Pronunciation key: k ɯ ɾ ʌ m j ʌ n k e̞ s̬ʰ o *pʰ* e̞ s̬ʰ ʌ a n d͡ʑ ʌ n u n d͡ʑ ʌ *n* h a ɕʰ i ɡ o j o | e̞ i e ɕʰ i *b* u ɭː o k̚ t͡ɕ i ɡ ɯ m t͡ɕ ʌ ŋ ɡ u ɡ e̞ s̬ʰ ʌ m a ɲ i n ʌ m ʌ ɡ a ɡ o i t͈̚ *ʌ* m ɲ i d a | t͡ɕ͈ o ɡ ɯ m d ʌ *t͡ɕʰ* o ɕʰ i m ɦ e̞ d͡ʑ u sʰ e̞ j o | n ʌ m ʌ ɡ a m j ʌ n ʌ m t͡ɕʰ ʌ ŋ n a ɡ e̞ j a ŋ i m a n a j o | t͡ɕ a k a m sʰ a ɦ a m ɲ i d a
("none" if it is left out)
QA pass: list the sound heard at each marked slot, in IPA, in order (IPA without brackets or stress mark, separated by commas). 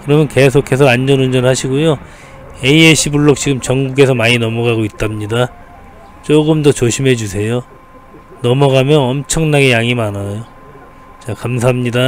kʰ, n, b, a, t͡ɕ